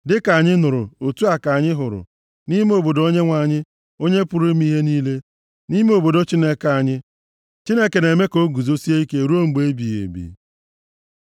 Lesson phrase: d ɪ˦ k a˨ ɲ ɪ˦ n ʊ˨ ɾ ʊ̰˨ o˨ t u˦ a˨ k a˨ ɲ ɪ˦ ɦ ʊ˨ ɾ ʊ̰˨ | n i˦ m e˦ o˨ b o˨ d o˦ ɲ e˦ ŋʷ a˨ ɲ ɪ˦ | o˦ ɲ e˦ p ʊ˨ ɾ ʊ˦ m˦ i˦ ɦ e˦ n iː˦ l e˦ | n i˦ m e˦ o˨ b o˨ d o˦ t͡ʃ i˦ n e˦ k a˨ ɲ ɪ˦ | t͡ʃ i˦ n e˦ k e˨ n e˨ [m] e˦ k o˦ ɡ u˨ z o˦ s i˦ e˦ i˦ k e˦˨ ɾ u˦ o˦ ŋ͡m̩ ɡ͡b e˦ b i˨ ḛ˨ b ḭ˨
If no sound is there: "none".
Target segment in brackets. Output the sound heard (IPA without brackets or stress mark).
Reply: m